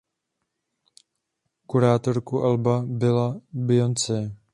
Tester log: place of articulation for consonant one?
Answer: velar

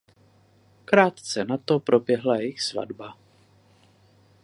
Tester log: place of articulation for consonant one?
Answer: velar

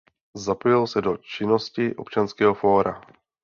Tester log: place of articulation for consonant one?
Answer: alveolar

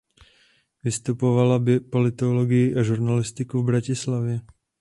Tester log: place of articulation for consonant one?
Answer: labial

